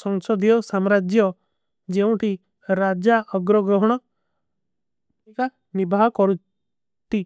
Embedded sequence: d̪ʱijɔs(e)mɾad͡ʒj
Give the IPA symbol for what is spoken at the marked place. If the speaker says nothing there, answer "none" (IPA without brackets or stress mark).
a